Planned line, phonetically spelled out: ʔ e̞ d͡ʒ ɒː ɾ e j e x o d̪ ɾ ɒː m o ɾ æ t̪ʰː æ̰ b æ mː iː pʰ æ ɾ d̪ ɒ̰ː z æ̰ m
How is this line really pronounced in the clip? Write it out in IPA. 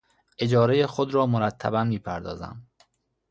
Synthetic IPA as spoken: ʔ e̞ d͡ʒ ɒː ɾ e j e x o d̪ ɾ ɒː m o ɾ æ t̪ʰː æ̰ b æ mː iː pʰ æ ɾ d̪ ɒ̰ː z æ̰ m

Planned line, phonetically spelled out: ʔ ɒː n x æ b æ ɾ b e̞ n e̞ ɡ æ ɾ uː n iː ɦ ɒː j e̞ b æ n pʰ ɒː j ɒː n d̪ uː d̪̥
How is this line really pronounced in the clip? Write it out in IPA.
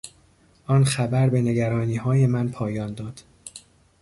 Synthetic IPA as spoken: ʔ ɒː n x æ b æ ɾ b e̞ n e̞ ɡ æ ɾ ɒː n iː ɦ ɒː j e̞ m æ n pʰ ɒː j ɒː n d̪ ɒː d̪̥

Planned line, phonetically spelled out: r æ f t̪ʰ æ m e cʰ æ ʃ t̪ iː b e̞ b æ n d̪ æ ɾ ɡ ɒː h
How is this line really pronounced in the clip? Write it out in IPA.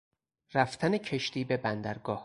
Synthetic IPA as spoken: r æ f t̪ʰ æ n e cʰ e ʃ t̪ iː b e̞ b æ n d̪ æ ɾ ɡ ɒː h

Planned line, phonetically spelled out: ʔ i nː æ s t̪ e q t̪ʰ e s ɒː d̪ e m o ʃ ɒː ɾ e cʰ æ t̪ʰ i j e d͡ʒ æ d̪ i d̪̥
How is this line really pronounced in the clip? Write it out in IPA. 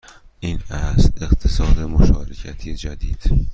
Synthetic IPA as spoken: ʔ i n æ s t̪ e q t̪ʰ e s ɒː d̪ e m o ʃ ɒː ɾ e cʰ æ t̪ʰ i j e d͡ʒ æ d̪ i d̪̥

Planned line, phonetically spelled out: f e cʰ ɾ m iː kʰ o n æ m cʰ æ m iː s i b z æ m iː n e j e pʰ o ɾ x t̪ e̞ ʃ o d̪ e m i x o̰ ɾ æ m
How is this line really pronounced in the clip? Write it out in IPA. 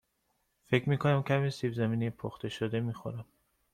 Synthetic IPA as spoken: f e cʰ ɾ m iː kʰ o n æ m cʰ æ m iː s i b z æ m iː n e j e pʰ o x t̪ e̞ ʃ o d̪ e m i x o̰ ɾ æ m

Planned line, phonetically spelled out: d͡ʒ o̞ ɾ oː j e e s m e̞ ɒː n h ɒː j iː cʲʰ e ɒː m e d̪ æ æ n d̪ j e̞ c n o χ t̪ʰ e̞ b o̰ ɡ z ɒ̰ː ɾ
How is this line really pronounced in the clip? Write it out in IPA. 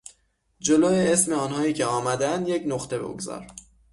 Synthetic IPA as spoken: d͡ʒ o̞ l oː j e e s m e̞ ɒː n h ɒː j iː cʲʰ e ɒː m æ d̪ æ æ n d̪ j e̞ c n o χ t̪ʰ e̞ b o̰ ɡ z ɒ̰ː ɾ

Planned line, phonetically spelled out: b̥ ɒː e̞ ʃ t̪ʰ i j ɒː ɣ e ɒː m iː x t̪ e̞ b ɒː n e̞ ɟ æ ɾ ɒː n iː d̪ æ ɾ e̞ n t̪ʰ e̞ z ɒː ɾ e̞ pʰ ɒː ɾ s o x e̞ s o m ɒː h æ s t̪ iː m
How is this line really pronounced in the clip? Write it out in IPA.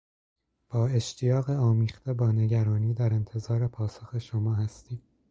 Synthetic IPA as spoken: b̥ ɒː e̞ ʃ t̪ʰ i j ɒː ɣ e ɒː m iː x t̪ e̞ b ɒː n e̞ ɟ æ ɾ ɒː n iː d̪ æ ɾ e̞ n t̪ʰ e̞ z ɒː ɾ e̞ pʰ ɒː s o x e̞ ʃ o m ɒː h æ s t̪ iː m

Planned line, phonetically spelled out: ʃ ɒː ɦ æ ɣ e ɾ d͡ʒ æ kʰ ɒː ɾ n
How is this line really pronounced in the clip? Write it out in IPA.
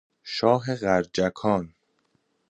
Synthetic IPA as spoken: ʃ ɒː ɦ e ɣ æ ɾ d͡ʒ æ kʰ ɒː n

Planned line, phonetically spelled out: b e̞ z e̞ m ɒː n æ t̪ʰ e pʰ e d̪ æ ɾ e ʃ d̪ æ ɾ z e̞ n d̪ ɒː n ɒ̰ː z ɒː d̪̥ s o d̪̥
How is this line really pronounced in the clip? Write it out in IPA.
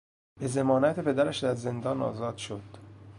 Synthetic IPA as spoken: b e̞ z e̞ m ɒː n æ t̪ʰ e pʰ e d̪ æ ɾ æ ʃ d̪ æ ɾ z e̞ n d̪ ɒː n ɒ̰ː z ɒː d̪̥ ʃ o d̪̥

